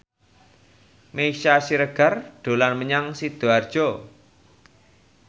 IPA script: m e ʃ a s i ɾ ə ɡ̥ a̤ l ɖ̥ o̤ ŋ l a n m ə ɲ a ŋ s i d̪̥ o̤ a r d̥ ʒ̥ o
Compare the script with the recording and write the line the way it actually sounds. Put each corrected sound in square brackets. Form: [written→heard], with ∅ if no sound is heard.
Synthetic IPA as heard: m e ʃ a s i ɾ ə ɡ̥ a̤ [l→r] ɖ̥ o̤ [ŋ→∅] l a n m ə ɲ a ŋ s i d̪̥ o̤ a r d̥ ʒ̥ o